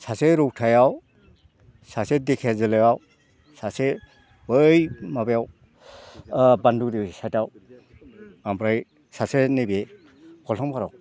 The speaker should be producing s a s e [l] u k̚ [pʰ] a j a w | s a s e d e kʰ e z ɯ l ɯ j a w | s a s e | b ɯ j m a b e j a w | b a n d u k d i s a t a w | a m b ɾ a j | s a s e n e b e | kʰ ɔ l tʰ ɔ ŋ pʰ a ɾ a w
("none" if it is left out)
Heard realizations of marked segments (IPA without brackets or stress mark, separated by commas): ɾ, tʰ